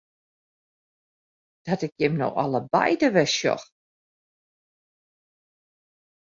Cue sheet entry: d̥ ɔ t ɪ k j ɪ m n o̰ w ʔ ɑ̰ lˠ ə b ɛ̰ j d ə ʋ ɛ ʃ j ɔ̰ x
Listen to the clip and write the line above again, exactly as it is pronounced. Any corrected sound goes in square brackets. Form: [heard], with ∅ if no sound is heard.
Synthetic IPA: d̥ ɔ t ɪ k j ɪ m n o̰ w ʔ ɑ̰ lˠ ə b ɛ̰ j d ə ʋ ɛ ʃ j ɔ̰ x